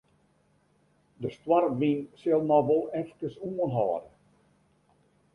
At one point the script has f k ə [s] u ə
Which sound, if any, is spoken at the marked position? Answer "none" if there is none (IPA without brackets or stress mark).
s